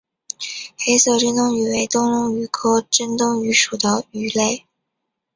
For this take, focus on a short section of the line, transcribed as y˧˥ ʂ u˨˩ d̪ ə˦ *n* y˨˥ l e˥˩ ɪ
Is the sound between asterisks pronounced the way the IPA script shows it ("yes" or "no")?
no